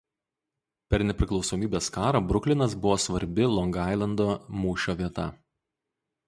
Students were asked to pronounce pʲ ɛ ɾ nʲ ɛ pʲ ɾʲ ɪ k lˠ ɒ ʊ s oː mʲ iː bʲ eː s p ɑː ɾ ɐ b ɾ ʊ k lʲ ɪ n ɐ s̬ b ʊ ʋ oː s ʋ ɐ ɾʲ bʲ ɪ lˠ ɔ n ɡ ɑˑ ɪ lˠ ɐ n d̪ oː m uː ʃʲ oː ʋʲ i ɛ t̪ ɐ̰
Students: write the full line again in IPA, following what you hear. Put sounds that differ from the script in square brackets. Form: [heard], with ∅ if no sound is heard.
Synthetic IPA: pʲ ɛ ɾ nʲ ɛ pʲ ɾʲ ɪ k lˠ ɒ ʊ s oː mʲ iː bʲ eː s [k] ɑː ɾ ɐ b ɾ ʊ k lʲ ɪ n ɐ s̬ b ʊ ʋ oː s ʋ ɐ ɾʲ bʲ ɪ lˠ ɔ [ŋ] ɡ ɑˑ ɪ lˠ ɐ n d̪ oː m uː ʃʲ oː ʋʲ i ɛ t̪ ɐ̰